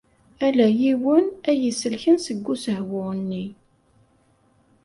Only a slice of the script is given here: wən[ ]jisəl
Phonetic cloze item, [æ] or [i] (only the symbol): æ